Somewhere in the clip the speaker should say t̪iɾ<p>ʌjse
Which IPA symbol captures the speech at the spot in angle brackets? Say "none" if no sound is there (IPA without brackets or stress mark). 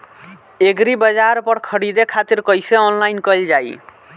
k